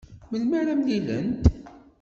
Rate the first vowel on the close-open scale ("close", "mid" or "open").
mid